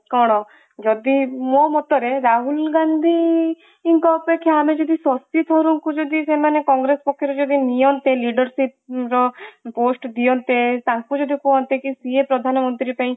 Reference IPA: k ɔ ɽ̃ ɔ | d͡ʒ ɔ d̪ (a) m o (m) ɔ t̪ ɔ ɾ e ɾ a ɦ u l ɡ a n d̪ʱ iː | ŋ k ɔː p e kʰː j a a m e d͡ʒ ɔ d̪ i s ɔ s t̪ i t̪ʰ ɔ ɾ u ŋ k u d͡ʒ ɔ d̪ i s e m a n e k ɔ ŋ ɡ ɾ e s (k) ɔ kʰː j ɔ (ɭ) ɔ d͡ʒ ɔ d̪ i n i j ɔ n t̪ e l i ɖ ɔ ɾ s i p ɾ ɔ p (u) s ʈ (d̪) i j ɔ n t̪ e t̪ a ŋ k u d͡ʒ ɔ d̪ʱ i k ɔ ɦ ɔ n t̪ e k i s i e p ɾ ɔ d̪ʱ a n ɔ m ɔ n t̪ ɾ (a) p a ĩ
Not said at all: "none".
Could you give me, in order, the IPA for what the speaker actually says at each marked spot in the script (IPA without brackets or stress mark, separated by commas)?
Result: i, m, p, ɾ, o, d̪, i